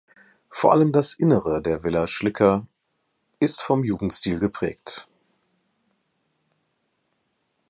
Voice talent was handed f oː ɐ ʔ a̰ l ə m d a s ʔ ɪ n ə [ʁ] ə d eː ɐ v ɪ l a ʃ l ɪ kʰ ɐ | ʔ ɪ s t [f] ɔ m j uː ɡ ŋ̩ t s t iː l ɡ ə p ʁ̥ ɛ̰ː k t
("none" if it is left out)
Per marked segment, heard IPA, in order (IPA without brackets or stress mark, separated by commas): ʁ, f